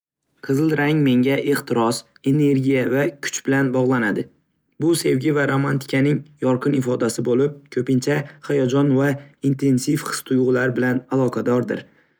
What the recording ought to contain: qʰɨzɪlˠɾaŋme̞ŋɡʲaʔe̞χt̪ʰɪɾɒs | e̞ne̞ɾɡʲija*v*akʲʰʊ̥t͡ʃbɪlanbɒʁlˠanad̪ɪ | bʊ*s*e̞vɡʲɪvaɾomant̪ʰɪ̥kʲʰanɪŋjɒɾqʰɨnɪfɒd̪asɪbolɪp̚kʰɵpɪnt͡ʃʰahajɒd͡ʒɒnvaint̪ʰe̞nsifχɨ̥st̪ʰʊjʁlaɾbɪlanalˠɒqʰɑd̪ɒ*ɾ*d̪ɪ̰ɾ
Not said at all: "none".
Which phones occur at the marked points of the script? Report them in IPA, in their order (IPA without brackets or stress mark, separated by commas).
v, s, ɾ